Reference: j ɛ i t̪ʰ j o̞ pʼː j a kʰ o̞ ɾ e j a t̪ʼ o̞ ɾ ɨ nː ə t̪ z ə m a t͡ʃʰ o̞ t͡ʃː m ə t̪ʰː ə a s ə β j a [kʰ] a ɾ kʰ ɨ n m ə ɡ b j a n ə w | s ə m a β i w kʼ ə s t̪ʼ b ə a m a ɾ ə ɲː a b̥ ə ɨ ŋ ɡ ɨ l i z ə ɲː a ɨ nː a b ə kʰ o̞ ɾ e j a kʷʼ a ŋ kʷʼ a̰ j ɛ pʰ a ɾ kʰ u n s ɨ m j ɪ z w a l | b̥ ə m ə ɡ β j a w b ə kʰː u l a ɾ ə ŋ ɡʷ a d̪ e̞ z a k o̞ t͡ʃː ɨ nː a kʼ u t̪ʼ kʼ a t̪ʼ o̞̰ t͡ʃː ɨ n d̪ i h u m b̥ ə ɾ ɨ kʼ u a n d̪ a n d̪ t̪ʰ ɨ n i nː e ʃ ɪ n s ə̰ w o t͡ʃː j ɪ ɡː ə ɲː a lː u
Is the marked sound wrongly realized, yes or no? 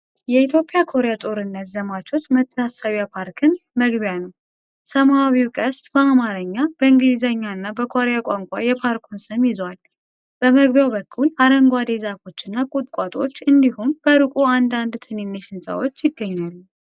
yes